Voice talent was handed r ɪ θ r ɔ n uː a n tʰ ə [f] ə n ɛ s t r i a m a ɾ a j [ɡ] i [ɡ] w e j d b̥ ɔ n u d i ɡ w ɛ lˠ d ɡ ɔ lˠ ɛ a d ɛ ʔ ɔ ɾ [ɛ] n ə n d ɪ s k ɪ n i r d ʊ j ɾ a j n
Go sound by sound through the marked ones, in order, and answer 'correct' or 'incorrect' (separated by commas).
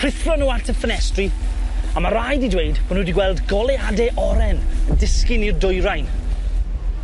correct, incorrect, incorrect, correct